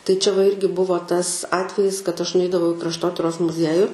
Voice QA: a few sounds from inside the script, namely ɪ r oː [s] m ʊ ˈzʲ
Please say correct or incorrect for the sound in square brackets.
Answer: correct